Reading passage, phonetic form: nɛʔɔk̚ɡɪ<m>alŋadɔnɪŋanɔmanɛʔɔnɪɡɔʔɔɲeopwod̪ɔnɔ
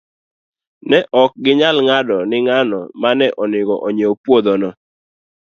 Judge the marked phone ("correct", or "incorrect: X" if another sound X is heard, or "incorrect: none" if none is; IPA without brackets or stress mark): incorrect: ɲ